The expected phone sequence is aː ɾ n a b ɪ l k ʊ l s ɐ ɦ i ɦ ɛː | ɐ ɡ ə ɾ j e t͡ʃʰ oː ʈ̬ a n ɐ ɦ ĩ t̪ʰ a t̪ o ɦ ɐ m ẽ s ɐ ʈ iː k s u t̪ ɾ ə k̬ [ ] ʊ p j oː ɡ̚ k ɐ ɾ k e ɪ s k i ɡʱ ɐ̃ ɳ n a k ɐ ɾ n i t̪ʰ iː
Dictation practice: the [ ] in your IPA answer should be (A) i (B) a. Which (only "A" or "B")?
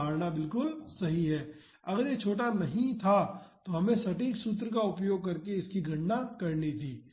B